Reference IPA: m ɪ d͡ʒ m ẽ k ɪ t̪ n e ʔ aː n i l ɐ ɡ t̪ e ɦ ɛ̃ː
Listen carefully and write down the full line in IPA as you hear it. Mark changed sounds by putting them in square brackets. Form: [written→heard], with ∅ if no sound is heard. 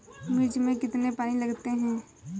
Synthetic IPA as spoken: m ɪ d͡ʒ m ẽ k ɪ t̪ n e [ʔ→p] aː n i l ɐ ɡ t̪ e ɦ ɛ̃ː